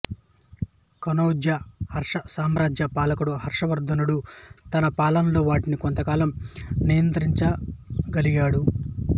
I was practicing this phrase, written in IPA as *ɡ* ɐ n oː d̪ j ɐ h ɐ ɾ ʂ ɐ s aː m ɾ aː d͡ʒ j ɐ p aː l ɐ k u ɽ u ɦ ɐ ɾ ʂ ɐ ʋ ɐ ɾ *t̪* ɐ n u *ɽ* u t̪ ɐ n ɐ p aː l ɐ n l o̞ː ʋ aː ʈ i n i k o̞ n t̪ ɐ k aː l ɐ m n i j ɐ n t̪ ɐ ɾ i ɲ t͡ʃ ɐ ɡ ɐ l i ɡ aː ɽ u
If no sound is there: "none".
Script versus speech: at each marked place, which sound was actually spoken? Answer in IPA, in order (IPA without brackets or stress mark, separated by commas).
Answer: k, d̪, ɽ